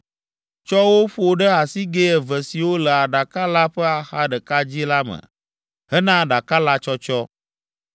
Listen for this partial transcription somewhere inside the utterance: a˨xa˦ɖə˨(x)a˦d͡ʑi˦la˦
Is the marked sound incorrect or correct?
incorrect: k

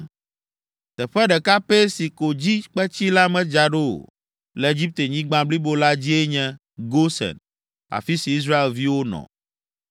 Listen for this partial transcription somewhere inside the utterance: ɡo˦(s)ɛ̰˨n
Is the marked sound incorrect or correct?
correct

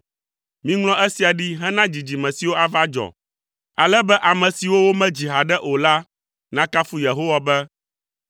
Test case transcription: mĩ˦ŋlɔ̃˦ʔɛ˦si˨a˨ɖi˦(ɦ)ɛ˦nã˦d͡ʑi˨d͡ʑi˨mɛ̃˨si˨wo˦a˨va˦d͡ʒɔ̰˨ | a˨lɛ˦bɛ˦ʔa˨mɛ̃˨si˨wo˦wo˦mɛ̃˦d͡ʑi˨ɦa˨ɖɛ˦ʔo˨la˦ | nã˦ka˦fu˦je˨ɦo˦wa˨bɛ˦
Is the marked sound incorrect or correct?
correct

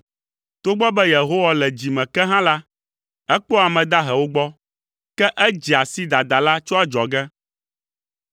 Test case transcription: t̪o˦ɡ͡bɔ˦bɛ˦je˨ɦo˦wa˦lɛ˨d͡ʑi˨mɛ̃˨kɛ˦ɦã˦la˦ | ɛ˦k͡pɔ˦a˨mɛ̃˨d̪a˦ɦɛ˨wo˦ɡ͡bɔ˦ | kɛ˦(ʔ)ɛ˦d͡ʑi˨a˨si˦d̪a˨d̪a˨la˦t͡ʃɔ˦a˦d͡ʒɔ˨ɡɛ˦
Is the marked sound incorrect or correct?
correct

